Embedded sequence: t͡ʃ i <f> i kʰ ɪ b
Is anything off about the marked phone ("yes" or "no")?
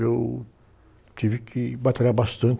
yes